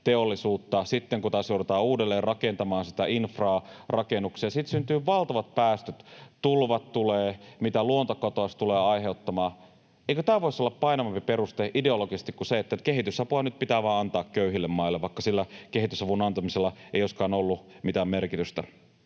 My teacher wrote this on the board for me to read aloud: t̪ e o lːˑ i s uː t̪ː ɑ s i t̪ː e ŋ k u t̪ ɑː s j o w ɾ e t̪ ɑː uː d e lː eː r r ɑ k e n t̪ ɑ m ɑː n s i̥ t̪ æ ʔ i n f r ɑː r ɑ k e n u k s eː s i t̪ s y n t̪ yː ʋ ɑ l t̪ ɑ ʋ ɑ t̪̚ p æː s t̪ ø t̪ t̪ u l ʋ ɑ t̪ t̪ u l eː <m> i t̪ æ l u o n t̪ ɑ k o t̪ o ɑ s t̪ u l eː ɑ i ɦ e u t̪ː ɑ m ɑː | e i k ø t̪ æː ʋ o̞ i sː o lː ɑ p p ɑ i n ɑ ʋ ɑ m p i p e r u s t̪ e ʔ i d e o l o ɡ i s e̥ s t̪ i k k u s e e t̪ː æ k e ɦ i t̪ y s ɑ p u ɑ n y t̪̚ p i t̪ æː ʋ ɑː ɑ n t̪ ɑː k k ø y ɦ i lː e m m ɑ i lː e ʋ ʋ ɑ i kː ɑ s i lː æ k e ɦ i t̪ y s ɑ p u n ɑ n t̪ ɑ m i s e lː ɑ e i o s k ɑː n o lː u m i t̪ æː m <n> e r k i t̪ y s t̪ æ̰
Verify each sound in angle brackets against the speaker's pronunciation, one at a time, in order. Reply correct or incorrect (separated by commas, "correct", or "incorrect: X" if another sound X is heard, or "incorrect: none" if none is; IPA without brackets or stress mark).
correct, incorrect: m